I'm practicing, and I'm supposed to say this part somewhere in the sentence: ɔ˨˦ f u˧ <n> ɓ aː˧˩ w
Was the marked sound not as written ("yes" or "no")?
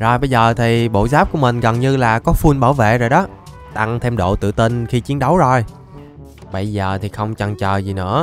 no